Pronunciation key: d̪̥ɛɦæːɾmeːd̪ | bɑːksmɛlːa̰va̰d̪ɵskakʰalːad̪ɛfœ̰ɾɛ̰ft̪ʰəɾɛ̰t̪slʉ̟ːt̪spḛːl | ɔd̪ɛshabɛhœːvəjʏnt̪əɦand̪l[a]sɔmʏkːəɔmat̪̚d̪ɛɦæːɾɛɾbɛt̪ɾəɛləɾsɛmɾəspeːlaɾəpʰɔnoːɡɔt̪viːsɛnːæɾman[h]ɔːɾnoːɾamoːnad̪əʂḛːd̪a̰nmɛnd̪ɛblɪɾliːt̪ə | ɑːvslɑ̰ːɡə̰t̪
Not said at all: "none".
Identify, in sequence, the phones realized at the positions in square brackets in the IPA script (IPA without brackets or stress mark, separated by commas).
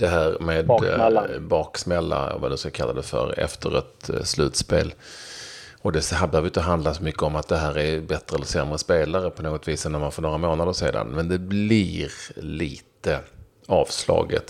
a, f